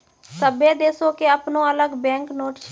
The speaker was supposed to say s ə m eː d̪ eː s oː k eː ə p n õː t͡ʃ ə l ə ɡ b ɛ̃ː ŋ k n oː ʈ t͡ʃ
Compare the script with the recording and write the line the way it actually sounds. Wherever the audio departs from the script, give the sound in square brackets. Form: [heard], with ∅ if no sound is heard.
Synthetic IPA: s ə [b] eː d̪ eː s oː k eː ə p n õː [∅] ə l ə ɡ b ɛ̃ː ŋ k n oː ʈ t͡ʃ